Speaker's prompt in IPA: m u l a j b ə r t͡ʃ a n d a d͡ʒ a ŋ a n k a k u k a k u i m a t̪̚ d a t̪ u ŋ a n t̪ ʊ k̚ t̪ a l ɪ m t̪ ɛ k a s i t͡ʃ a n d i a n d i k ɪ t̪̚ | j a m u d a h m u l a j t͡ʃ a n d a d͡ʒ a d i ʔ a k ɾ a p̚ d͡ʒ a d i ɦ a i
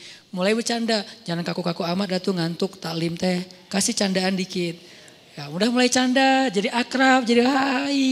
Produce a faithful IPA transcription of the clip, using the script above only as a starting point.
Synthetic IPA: m u l a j b ə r t͡ʃ a n d a d͡ʒ a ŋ a n k a k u k a k u a m a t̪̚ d a t̪ u ŋ a n t̪ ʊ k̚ t̪ a l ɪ m t̪ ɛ k a s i t͡ʃ a n d a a n d i k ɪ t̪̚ | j a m u d a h m u l a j t͡ʃ a n d a d͡ʒ a d i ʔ a k ɾ a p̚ d͡ʒ a d i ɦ a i